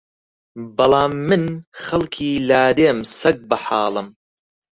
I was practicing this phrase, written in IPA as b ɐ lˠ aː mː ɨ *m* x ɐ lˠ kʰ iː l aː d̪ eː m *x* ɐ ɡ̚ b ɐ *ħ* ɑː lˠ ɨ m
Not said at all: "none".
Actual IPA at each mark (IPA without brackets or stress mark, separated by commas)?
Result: n, s, ħ